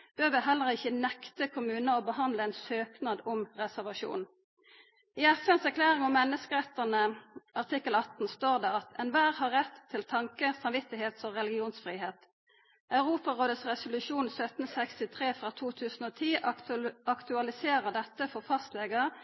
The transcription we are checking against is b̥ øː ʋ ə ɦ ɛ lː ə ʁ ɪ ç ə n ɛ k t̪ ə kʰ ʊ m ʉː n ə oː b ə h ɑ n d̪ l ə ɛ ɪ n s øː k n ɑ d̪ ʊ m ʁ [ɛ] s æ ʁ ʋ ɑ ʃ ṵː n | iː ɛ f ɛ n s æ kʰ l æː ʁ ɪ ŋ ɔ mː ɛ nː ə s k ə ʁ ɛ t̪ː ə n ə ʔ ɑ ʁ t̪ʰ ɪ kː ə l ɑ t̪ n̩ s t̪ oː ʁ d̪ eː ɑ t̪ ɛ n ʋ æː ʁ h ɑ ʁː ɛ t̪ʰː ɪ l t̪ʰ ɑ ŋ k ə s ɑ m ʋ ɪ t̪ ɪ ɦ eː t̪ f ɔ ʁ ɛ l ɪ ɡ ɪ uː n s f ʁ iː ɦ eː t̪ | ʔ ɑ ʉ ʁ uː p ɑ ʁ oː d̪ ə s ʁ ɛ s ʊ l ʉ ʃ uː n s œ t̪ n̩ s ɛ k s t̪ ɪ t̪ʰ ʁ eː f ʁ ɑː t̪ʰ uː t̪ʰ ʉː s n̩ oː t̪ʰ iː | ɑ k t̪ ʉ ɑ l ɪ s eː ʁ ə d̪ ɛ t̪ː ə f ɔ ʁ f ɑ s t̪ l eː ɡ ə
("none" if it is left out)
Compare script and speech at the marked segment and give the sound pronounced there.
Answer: ɛ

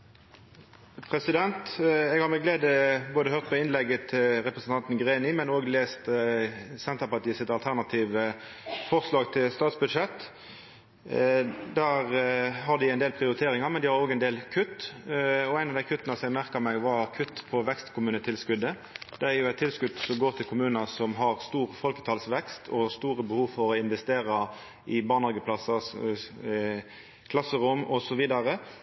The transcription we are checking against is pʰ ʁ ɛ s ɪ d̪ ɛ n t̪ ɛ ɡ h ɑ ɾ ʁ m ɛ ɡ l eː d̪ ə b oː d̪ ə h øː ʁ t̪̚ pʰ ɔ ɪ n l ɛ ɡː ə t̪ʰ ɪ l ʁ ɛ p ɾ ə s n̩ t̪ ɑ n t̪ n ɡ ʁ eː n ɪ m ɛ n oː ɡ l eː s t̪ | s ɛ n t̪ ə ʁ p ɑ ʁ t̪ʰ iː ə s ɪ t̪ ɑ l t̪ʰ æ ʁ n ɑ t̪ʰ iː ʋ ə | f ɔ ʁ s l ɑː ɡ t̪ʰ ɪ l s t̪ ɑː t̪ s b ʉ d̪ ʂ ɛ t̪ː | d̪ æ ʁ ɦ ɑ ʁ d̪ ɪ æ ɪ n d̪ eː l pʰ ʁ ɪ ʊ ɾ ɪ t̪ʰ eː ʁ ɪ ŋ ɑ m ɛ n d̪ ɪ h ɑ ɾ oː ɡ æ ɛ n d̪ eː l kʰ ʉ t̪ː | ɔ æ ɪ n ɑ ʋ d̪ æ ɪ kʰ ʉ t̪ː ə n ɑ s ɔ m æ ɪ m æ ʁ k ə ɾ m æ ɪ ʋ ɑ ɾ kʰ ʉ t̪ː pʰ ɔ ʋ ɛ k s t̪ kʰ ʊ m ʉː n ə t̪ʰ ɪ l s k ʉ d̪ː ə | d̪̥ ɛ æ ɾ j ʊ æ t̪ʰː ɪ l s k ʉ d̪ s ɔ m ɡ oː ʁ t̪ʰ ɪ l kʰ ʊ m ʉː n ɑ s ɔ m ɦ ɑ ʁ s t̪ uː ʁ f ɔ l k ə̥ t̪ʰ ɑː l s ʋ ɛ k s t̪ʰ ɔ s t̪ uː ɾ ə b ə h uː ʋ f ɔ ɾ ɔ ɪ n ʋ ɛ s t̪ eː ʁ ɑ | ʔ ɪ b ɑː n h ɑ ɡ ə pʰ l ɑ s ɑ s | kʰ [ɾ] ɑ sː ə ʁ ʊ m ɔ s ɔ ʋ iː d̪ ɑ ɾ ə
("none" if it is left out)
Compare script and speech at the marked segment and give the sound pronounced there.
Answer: l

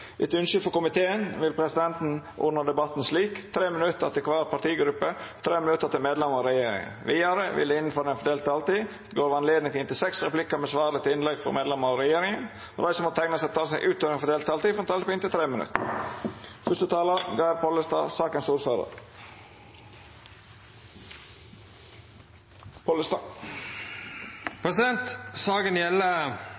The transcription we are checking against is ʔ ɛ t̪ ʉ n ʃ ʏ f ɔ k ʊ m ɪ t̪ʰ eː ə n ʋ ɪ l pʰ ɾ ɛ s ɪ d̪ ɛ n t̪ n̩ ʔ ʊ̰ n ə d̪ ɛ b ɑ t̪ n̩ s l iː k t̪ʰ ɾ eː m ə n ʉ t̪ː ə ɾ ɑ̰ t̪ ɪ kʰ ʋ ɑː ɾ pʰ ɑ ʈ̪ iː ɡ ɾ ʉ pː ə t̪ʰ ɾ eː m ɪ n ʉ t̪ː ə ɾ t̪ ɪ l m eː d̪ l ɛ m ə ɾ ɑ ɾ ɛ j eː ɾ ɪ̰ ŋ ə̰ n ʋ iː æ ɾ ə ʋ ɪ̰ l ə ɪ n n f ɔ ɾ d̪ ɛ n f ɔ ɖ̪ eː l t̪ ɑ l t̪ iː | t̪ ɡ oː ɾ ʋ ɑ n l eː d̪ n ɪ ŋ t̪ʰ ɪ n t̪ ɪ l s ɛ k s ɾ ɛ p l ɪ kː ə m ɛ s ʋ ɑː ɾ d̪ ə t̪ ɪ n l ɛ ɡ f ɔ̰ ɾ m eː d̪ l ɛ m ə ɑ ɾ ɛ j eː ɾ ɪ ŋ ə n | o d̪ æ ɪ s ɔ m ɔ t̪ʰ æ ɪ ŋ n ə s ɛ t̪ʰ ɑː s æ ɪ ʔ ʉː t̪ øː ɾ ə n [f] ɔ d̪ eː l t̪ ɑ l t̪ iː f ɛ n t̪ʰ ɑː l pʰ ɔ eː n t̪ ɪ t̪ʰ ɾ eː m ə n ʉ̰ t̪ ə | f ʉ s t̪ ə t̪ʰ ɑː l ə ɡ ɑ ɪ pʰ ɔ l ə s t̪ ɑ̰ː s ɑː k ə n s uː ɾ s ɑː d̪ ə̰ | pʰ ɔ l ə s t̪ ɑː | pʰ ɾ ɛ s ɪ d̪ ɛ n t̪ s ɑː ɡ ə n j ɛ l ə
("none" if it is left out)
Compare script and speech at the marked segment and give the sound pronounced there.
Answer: f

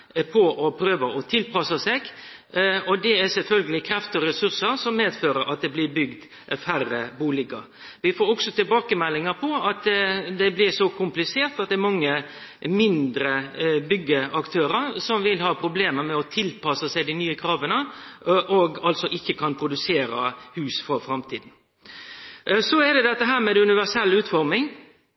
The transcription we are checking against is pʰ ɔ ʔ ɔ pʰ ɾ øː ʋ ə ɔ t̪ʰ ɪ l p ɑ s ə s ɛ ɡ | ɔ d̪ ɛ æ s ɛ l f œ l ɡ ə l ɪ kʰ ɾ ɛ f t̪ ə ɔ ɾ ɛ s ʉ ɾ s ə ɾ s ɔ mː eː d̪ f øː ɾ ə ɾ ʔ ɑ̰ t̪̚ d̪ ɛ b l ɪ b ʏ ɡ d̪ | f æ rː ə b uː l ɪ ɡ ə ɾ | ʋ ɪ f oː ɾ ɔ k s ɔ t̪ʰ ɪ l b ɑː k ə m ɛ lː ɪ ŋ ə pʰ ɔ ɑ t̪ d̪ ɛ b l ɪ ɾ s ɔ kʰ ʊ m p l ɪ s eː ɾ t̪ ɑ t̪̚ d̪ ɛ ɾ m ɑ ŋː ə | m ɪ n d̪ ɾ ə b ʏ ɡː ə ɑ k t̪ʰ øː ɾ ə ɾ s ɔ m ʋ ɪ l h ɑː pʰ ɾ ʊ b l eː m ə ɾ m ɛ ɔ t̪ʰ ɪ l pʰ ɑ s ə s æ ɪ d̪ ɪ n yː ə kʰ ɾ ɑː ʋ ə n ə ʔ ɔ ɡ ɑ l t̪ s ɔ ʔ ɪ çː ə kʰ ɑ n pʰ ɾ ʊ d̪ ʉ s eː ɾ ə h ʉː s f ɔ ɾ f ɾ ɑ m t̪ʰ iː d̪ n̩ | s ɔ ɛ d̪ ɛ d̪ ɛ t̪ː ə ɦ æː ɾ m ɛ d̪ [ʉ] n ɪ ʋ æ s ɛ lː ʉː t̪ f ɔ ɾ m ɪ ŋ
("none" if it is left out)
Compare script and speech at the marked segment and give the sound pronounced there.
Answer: ʉ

